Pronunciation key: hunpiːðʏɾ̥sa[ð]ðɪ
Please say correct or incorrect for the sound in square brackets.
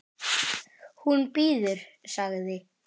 incorrect